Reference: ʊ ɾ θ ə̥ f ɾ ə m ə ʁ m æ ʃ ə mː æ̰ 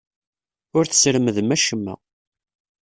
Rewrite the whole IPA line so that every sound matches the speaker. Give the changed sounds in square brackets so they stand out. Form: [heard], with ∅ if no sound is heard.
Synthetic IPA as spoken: ʊ ɾ θ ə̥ [s] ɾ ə m ə [ð] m æ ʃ ə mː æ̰